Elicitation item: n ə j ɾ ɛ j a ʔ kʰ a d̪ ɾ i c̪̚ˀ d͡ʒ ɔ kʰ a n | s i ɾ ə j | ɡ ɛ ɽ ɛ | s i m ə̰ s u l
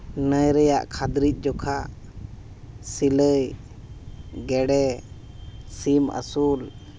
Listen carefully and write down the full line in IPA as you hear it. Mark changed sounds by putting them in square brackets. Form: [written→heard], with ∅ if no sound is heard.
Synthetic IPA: n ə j ɾ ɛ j a ʔ kʰ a d̪ ɾ i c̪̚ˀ d͡ʒ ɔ kʰ a [n→∅] | s i [ɾ→l] ə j | ɡ ɛ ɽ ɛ | s i m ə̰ s u l